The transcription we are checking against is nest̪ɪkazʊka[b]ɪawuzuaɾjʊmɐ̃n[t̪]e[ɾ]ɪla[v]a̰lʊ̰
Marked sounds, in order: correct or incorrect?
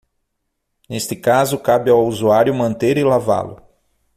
correct, correct, correct, correct

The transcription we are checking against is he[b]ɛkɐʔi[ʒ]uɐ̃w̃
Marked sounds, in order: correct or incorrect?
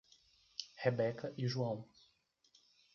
correct, correct

